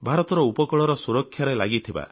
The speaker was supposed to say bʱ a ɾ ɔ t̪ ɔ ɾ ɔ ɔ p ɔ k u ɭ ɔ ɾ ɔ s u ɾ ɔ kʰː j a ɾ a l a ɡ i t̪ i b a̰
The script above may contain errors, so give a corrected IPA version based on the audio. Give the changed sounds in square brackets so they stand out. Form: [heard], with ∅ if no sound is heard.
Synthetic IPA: bʱ a ɾ ɔ t̪ ɔ ɾ ɔ [u] p ɔ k [ɔ] ɭ ɔ ɾ ɔ s u ɾ ɔ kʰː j a ɾ [e] l a ɡ i [t̪ʰ] i b a̰